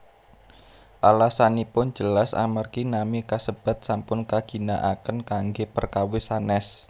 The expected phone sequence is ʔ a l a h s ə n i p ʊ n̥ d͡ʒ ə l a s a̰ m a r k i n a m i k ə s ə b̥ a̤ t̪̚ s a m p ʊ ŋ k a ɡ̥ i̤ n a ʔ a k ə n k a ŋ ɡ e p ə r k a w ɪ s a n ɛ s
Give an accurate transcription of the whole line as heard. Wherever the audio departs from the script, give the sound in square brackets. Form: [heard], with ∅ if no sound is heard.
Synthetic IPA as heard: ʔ a l a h s [a] n i p ʊ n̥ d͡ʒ ə l a s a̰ m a r k i n a m i k [a] s ə b̥ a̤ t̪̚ s a m p ʊ [n] k a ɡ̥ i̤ n a ʔ a k ə n k a ŋ ɡ e p ə r k a w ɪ s a n ɛ s

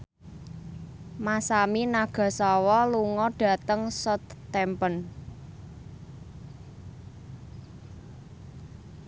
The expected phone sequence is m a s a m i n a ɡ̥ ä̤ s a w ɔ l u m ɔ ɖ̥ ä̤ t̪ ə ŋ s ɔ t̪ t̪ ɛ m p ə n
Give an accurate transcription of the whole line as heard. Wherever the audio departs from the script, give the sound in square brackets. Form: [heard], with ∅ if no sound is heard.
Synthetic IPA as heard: m a s a m i n a ɡ̥ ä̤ s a w ɔ l u [ŋ] ɔ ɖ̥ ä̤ t̪ ə ŋ s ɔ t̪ t̪ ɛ m p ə n

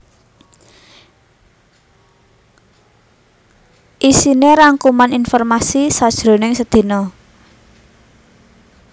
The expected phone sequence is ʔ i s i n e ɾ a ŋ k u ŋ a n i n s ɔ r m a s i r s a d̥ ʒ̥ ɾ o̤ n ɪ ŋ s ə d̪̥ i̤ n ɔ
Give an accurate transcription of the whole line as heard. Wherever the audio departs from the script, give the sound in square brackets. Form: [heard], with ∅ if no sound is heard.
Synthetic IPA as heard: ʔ i s i n e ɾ a ŋ k u [m] a n i n [f] ɔ r m a s i [∅] s a d̥ ʒ̥ ɾ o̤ n ɪ ŋ s ə d̪̥ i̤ n ɔ

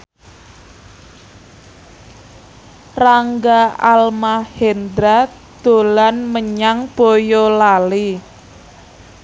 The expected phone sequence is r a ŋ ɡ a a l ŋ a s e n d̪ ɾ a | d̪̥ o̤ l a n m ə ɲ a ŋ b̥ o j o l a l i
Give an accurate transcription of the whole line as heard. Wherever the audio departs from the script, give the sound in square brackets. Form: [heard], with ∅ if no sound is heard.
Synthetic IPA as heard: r a ŋ ɡ a a l [m] a [h] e n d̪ ɾ a | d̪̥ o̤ l a n m ə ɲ a ŋ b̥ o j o l a l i

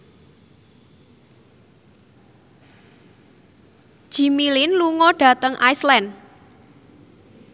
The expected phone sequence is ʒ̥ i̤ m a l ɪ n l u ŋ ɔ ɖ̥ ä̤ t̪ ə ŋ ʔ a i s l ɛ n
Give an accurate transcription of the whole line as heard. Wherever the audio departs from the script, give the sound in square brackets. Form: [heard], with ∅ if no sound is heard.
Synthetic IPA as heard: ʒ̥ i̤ m [i] l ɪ n l u ŋ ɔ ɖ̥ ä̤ t̪ ə ŋ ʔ a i s l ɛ n

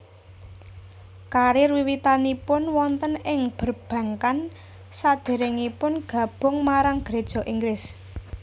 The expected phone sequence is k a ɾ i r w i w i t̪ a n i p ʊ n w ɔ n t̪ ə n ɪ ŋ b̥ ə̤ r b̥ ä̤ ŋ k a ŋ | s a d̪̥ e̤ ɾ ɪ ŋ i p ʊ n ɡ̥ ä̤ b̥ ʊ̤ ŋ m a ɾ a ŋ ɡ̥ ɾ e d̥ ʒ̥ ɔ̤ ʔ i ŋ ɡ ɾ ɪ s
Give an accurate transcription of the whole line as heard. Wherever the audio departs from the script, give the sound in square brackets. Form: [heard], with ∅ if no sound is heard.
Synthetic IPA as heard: k a ɾ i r w i w i t̪ a n i p ʊ n w ɔ n t̪ ə n ɪ ŋ b̥ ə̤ r b̥ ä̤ ŋ k a [n] | s a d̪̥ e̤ ɾ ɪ ŋ i p ʊ n ɡ̥ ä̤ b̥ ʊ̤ ŋ m a ɾ a ŋ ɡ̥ ɾ e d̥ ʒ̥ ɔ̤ ʔ i ŋ ɡ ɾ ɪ s

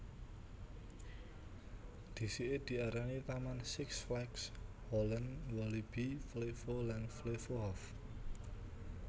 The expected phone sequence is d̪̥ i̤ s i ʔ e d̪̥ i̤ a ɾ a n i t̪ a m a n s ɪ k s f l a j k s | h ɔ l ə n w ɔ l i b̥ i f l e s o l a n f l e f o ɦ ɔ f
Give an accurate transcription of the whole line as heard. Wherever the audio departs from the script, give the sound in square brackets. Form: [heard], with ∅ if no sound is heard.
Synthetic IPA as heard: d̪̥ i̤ s i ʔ e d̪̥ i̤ a ɾ a n i t̪ a m a n s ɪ k s f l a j k s | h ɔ l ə n w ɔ l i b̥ i f l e [f] o l a n f l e f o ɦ ɔ f

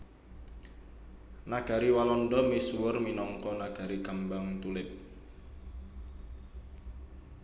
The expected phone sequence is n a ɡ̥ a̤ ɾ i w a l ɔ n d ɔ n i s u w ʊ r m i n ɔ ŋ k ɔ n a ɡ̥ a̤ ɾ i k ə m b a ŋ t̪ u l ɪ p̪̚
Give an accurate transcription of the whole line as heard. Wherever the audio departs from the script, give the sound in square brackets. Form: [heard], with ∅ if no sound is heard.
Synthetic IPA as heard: n a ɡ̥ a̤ ɾ i w a l ɔ n d ɔ [m] i s u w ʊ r m i n ɔ ŋ k ɔ n a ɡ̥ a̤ ɾ i k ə m b a ŋ t̪ u l ɪ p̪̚

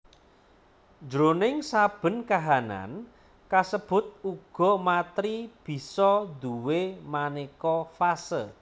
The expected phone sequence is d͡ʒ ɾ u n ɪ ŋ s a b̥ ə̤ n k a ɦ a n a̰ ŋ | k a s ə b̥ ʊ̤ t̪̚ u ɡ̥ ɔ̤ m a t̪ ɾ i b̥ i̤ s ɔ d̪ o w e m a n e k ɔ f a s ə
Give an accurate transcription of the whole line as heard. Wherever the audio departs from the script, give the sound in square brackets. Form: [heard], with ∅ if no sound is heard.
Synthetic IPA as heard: d͡ʒ ɾ [o] n ɪ ŋ s a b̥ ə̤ n k a ɦ a n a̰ [n] | k a s ə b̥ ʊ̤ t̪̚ u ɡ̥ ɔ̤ m a t̪ ɾ i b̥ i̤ s ɔ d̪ [u] w e m a n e k ɔ f a s ə

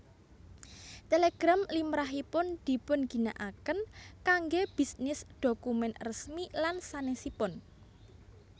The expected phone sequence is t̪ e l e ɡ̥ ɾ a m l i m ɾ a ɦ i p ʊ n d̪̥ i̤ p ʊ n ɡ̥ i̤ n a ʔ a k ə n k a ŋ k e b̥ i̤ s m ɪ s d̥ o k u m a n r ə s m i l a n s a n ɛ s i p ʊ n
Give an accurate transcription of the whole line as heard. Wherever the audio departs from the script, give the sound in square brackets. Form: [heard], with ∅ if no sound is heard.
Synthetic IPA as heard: t̪ e l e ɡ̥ ɾ a m l i m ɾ a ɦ i p ʊ n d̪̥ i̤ p ʊ n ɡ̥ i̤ n a ʔ a k ə n k a ŋ [ɡ] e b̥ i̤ s [n] ɪ s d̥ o k u m [ɛ] n r ə s m i l a n s a n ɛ s i p ʊ n

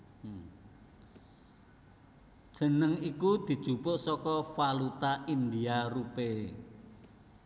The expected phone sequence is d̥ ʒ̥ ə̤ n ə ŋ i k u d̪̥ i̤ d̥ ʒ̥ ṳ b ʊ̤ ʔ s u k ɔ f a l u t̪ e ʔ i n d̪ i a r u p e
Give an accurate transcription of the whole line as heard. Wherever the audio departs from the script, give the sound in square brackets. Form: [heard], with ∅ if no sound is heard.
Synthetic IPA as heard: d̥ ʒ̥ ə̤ n ə ŋ i k u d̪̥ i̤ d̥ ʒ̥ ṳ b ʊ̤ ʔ s [ɔ] k ɔ f a l u t̪ [a] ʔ i n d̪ i a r u p e

